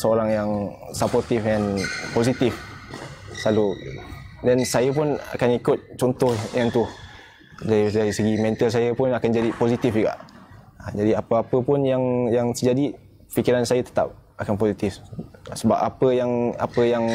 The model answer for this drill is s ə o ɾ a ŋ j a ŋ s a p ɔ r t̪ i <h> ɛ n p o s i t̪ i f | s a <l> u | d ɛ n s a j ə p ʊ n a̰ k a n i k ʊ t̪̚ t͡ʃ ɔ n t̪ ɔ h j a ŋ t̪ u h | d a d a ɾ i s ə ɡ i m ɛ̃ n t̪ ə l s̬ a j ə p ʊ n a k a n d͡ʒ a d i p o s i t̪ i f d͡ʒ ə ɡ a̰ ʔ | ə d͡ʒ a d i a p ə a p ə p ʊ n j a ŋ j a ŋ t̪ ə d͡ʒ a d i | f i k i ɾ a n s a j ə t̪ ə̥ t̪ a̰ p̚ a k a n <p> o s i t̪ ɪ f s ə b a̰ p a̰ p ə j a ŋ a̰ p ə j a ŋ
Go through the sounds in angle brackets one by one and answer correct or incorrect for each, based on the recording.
incorrect: f, correct, correct

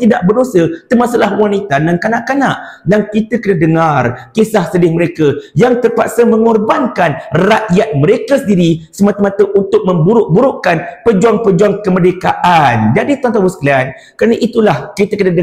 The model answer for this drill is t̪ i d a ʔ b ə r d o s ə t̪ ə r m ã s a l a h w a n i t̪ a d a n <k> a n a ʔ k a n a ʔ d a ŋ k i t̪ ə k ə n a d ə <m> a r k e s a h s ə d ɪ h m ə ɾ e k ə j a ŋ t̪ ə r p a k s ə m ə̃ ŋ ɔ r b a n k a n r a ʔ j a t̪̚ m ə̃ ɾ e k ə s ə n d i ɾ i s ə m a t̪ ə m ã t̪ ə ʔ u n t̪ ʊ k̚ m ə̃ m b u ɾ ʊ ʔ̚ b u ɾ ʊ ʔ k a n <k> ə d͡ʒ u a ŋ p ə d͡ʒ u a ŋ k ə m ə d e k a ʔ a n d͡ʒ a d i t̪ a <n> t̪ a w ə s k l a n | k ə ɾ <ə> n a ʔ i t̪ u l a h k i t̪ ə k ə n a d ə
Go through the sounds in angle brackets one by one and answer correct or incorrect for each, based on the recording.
correct, incorrect: ŋ, incorrect: p, correct, incorrect: a

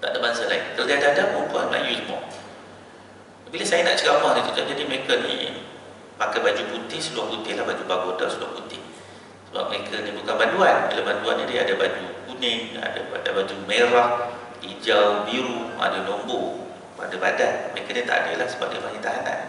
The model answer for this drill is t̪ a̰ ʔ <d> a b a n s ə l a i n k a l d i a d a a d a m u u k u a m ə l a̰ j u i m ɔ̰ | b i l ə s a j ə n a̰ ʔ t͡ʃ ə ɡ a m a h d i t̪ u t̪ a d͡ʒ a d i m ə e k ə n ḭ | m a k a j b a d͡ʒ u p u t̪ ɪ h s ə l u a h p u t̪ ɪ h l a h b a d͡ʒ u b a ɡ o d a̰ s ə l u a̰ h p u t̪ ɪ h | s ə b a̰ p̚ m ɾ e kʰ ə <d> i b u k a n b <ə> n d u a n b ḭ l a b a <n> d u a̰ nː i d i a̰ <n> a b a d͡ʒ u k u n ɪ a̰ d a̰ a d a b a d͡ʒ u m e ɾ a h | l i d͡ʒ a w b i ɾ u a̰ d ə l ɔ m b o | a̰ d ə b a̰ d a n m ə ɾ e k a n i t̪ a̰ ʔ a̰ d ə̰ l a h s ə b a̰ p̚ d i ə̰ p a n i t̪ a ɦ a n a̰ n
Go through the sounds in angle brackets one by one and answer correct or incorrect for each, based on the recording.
correct, incorrect: n, incorrect: a, correct, incorrect: d

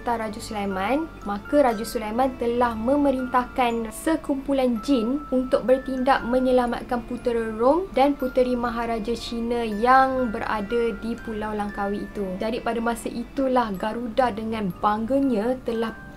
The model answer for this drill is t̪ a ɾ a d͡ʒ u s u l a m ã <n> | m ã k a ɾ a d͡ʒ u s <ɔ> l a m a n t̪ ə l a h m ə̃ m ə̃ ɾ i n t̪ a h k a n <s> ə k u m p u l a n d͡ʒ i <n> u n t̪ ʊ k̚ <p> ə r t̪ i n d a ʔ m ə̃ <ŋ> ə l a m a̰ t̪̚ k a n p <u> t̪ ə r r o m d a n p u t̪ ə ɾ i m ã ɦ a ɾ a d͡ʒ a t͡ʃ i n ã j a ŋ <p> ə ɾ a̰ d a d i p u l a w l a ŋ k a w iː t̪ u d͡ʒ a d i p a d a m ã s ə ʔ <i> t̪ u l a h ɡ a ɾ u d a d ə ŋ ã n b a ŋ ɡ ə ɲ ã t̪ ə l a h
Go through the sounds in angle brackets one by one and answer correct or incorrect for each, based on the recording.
correct, incorrect: u, correct, correct, incorrect: b, incorrect: ɲ, correct, incorrect: b, correct

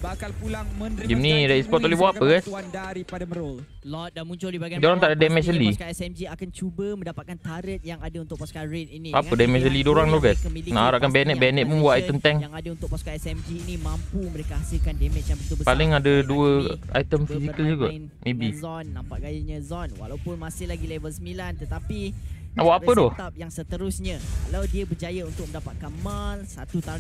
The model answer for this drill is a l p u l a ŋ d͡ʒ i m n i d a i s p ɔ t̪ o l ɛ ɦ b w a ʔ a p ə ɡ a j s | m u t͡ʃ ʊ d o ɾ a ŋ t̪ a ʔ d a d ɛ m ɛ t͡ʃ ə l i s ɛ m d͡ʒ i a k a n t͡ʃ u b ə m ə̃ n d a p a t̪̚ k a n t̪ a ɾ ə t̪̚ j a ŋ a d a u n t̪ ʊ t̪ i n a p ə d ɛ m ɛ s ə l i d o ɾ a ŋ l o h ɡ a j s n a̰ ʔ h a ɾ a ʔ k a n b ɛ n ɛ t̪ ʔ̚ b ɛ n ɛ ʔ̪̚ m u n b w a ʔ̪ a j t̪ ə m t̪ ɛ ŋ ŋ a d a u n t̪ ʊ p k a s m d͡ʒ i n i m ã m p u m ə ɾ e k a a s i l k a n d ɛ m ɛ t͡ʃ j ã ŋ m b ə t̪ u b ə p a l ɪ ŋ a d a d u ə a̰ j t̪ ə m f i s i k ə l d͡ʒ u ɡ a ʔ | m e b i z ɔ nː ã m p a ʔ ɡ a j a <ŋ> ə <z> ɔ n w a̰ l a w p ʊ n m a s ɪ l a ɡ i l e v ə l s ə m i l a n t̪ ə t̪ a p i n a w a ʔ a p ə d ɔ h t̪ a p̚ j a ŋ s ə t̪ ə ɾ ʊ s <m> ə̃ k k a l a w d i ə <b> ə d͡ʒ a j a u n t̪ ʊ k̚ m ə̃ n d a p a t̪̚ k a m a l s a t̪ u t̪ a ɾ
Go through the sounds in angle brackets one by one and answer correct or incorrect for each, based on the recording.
incorrect: ɲ, correct, incorrect: ɲ, correct

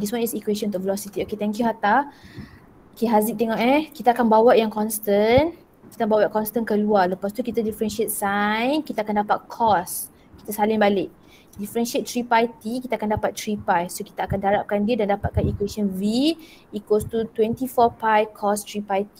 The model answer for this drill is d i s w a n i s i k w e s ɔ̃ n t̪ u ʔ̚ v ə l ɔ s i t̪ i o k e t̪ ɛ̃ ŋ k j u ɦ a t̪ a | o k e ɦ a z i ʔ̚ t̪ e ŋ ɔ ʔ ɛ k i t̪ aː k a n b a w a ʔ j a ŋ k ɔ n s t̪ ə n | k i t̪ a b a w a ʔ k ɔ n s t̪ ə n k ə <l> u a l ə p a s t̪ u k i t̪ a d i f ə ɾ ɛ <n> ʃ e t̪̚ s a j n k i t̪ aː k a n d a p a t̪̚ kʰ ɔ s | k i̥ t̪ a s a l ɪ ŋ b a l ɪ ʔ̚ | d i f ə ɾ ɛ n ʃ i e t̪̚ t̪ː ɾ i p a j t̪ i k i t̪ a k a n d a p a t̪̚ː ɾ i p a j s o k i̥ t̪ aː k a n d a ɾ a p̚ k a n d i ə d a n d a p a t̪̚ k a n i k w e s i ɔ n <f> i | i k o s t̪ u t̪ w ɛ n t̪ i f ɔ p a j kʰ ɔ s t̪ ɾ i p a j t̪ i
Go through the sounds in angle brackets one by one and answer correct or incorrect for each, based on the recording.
correct, correct, incorrect: v

